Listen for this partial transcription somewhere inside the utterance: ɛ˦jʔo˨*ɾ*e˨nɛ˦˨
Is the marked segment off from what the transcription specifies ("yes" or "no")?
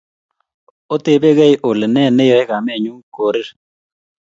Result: yes